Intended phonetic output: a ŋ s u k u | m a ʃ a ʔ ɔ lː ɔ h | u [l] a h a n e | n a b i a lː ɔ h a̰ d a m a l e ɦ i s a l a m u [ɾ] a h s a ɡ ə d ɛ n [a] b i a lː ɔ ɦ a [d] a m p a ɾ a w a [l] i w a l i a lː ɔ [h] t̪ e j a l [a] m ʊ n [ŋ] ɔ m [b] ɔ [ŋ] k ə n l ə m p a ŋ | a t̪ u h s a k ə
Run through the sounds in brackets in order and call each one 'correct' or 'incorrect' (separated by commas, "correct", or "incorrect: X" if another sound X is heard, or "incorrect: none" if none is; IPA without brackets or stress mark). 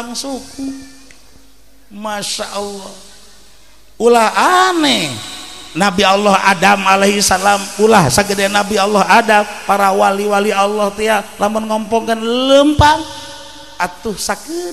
correct, incorrect: l, correct, correct, correct, correct, correct, correct, incorrect: p, correct